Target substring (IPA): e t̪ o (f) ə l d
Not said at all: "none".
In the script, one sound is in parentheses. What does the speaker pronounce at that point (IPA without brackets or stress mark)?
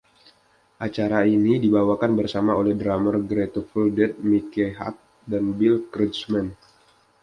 f